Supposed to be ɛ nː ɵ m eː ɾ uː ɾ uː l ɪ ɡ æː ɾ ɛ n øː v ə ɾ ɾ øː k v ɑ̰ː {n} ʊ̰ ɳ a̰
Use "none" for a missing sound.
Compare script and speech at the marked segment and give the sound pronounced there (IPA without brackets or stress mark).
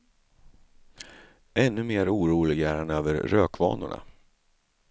n